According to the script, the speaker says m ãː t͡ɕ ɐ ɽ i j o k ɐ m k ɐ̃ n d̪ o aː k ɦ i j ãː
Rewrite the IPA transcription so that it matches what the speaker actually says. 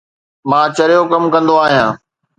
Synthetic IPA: m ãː t͡ɕ ɐ ɾ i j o k ɐ m k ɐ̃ n d̪ o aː ɦ i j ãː